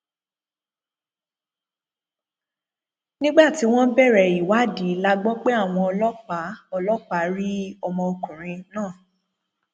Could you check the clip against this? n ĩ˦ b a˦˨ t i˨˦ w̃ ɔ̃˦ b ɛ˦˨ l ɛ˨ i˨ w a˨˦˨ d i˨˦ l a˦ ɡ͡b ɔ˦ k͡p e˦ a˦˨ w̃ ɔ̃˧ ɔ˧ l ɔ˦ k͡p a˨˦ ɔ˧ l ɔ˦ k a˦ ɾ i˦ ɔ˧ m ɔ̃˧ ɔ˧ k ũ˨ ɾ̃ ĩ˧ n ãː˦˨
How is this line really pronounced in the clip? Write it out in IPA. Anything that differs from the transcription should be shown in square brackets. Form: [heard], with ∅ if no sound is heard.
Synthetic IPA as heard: n ĩ˦ [ɡ͡b] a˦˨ t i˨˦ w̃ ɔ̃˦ b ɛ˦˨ [ɾ] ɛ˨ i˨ w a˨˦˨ d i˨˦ l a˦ ɡ͡b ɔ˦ k͡p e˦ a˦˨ w̃ ɔ̃˧ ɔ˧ l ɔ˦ k͡p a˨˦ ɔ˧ l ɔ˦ [k͡p] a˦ ɾ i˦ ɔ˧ m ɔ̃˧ [o˧] k ũ˨ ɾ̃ ĩ˧ n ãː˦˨